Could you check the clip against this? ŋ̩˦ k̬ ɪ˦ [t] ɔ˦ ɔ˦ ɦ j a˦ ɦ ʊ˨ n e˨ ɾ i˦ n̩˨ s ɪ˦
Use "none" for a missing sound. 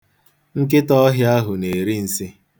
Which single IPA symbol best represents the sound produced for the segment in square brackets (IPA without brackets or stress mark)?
t